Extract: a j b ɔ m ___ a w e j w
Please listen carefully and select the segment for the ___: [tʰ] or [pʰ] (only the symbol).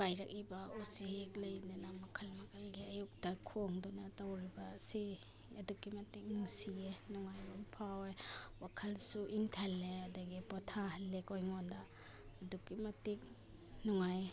pʰ